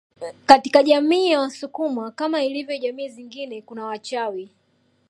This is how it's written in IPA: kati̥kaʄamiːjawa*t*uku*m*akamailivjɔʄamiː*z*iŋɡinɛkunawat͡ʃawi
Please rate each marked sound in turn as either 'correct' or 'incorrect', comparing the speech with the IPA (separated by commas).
incorrect, correct, correct